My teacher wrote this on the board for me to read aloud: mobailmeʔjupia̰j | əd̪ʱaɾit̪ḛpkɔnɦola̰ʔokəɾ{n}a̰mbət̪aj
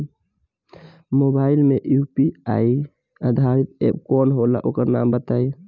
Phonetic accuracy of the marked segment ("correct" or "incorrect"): correct